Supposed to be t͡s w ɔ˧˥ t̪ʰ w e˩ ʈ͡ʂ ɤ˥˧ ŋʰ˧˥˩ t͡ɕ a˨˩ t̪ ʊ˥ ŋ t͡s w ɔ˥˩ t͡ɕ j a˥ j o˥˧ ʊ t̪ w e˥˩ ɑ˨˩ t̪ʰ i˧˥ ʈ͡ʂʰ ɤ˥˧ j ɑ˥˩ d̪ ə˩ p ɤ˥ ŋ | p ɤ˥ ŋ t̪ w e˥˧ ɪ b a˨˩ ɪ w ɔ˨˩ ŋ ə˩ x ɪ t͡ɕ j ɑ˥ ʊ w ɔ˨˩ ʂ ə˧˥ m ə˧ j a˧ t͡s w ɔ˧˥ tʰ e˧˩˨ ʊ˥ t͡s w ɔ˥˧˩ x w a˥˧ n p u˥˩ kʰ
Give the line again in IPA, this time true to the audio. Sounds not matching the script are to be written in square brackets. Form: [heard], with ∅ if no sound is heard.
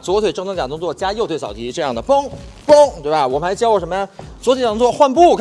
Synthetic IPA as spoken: t͡s w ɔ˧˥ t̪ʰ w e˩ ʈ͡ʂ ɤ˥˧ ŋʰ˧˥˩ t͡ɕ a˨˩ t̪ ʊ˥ ŋ t͡s w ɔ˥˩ t͡ɕ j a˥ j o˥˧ ʊ t̪ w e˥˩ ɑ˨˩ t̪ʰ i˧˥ [ʈ͡ʂ] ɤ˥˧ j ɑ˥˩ d̪ ə˩ p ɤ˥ ŋ | p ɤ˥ ŋ t̪ w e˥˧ ɪ b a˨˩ ɪ w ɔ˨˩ [m] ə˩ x ɪ t͡ɕ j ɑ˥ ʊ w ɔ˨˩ ʂ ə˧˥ m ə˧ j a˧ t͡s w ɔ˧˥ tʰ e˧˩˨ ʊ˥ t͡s w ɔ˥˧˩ x w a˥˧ n p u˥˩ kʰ